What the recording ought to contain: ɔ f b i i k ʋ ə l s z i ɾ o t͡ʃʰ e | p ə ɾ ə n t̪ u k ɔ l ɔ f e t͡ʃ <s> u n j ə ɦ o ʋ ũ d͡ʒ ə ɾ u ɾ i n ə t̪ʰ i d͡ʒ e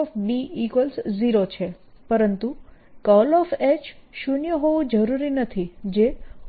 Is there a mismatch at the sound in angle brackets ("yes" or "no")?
yes